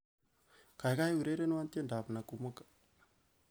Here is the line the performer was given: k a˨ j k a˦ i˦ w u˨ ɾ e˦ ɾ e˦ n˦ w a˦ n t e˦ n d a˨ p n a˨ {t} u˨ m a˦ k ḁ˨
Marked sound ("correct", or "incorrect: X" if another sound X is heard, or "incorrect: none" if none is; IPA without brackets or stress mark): incorrect: k